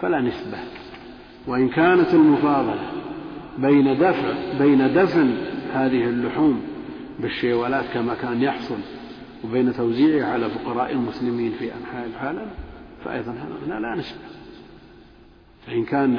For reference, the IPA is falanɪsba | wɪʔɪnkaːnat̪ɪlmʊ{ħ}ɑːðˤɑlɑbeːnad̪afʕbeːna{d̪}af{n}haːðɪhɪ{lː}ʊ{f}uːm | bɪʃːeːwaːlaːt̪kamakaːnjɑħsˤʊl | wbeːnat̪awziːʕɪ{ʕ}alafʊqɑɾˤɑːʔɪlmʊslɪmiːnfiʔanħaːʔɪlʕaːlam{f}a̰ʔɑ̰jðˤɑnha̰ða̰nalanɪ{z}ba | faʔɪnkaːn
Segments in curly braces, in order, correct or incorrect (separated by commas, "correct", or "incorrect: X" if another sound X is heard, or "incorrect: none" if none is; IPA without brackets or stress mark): incorrect: f, correct, correct, correct, incorrect: ħ, correct, correct, incorrect: s